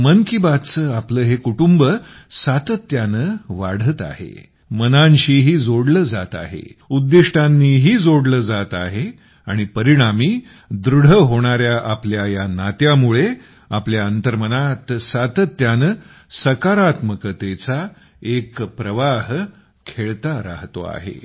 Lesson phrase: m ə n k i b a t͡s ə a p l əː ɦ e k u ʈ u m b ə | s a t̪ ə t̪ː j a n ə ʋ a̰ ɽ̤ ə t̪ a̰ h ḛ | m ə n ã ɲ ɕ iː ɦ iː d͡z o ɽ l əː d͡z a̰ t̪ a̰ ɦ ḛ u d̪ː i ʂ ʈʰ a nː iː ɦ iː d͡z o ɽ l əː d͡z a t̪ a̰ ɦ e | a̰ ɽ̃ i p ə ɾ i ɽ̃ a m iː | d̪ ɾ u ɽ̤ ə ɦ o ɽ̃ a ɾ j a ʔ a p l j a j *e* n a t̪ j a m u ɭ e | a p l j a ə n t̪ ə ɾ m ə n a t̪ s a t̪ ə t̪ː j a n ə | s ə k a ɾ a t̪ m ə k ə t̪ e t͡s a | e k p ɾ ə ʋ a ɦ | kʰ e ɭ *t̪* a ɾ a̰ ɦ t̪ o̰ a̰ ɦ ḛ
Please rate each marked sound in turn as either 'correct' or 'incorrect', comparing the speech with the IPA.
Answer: incorrect, correct

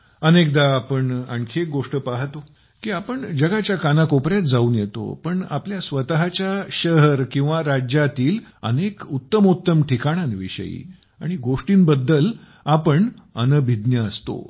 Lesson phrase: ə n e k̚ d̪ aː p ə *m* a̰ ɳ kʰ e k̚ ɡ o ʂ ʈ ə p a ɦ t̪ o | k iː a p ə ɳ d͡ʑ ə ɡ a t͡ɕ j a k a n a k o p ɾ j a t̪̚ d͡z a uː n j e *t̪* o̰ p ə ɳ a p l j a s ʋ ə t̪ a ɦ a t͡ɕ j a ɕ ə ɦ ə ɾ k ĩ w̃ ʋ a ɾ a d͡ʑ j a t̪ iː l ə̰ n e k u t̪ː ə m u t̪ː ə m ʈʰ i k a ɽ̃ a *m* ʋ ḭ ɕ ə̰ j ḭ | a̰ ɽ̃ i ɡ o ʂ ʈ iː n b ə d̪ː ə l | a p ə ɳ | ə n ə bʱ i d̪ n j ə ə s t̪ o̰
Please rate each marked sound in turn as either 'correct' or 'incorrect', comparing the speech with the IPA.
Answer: incorrect, correct, incorrect

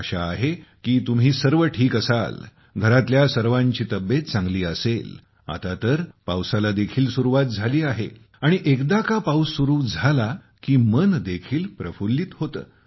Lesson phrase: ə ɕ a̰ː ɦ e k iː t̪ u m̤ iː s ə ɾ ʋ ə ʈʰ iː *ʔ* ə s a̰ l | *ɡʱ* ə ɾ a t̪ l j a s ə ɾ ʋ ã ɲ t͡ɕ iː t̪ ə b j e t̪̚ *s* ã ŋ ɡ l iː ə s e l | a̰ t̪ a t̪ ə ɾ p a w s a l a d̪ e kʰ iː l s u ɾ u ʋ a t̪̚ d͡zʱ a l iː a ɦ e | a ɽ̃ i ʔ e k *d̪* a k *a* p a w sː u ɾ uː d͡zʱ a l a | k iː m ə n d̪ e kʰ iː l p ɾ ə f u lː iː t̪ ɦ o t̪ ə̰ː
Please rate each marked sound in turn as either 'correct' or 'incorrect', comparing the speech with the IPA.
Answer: incorrect, correct, incorrect, correct, correct

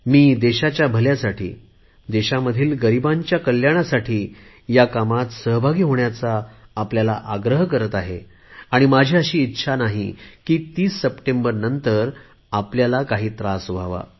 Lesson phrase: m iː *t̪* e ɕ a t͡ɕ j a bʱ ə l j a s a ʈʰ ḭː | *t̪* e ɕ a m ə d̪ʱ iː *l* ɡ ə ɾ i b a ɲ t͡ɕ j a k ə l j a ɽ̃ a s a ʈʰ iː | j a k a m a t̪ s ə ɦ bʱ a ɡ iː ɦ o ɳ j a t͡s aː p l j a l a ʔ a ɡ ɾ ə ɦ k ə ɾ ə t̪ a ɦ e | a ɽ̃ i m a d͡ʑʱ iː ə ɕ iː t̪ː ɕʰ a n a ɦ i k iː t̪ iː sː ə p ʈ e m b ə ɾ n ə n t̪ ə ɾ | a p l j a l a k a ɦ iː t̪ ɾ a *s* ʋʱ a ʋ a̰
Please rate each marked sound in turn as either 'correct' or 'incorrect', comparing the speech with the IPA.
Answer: incorrect, incorrect, correct, correct

